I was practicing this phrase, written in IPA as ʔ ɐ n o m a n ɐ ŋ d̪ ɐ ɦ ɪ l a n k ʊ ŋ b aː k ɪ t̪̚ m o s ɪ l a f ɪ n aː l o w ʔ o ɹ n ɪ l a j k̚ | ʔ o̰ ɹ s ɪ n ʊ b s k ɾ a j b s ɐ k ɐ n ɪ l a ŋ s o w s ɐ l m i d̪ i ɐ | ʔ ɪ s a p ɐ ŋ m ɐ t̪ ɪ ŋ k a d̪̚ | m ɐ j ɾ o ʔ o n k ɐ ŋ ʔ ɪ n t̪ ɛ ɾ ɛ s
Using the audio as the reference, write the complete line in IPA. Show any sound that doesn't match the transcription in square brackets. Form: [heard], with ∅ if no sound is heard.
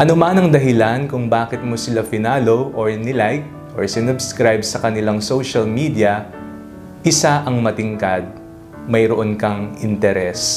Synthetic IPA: ʔ ɐ n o m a n ɐ ŋ d̪ ɐ ɦ ɪ l a n k ʊ ŋ b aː k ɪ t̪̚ m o s ɪ l a f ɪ n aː l o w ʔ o ɹ n ɪ l a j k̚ | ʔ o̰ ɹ s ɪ n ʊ b s k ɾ a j b s ɐ k ɐ n ɪ l a ŋ s o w [ʃ] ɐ l m i d̪ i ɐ | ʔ ɪ s a [ʔ] ɐ ŋ m ɐ t̪ ɪ ŋ k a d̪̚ | m ɐ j ɾ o ʔ o n k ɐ ŋ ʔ ɪ n t̪ ɛ ɾ ɛ s